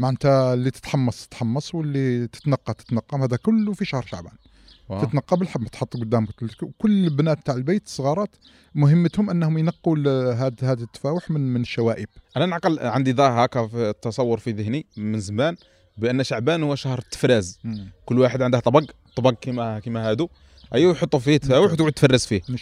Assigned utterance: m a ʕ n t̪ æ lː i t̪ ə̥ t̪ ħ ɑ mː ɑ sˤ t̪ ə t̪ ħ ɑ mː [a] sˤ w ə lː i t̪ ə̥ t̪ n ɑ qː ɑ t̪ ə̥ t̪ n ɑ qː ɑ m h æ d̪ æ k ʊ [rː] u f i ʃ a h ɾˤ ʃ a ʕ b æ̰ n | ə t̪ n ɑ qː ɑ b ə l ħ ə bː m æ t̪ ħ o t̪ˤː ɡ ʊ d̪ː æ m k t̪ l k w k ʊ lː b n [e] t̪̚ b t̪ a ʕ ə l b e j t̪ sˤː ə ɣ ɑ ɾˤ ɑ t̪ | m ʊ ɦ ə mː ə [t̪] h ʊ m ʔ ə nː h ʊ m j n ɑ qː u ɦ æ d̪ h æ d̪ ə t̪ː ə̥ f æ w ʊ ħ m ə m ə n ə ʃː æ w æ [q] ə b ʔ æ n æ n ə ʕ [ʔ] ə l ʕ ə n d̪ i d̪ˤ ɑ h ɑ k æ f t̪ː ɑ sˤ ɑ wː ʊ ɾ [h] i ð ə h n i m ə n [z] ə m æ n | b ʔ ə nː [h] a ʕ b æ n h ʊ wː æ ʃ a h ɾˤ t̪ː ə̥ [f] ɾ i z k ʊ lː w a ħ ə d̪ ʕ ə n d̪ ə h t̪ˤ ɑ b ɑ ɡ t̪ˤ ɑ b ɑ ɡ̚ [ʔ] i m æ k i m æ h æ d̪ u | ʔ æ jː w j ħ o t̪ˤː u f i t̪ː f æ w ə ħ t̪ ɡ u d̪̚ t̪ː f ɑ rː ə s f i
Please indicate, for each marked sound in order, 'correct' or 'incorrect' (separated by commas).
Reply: incorrect, incorrect, incorrect, correct, incorrect, incorrect, incorrect, correct, incorrect, correct, incorrect